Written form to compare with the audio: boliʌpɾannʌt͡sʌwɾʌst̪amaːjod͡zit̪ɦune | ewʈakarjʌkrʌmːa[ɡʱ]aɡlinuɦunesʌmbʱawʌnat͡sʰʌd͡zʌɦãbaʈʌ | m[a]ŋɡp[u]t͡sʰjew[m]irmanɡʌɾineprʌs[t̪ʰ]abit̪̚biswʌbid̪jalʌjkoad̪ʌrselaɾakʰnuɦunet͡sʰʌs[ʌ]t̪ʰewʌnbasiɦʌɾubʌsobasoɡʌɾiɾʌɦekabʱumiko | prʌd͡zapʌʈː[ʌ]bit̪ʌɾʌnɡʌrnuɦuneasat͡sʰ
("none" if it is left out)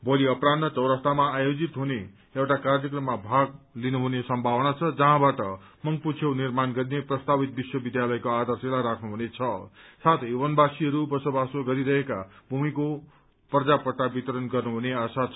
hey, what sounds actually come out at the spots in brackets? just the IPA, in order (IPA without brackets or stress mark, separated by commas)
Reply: bʱ, ʌ, u, n, t̪, a, a